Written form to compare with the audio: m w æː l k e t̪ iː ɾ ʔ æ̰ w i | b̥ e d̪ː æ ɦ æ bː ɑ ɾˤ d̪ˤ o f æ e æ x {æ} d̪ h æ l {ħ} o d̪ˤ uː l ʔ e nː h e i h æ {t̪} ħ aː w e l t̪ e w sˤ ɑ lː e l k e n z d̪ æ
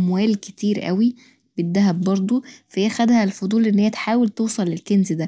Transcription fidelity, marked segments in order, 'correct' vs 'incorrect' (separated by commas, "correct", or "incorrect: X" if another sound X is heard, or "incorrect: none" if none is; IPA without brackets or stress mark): correct, incorrect: f, correct